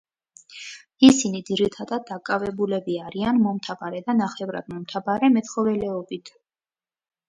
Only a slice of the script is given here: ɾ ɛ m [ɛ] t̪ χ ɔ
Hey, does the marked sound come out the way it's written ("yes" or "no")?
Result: yes